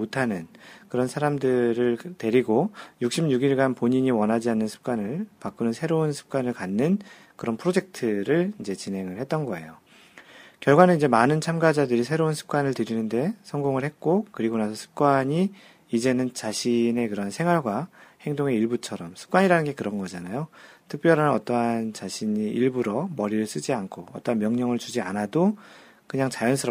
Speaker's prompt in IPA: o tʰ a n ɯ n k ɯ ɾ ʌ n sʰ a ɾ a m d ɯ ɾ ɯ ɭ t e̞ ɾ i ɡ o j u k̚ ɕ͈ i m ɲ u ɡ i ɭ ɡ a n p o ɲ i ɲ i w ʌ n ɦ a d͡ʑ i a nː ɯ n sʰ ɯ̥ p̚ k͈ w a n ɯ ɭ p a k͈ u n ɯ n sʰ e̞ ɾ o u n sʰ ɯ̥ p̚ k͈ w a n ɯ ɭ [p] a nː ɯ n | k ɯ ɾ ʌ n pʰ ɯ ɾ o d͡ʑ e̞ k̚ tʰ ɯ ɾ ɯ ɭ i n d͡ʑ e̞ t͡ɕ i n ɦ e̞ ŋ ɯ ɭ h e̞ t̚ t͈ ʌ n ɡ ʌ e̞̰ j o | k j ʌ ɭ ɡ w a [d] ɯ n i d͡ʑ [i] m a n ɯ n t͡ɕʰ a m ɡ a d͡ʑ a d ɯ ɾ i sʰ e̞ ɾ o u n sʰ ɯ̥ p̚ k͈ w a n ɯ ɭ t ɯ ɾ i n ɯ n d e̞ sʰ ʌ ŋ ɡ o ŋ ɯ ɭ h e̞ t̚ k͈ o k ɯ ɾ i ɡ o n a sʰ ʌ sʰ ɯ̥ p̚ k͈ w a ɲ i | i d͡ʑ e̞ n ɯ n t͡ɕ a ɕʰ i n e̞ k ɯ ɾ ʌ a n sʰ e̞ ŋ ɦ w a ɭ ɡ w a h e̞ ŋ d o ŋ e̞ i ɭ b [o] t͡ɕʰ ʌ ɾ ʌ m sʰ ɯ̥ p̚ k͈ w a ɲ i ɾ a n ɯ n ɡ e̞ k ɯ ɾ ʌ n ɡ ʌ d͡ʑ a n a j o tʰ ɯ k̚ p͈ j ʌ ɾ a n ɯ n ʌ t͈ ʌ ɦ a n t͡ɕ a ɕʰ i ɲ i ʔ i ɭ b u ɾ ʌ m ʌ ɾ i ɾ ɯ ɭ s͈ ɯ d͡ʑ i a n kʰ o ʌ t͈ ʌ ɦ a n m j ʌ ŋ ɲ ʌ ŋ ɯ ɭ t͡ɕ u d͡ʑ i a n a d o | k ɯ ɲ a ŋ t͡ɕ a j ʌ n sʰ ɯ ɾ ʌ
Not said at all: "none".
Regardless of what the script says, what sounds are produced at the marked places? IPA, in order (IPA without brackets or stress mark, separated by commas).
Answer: k, n, e, u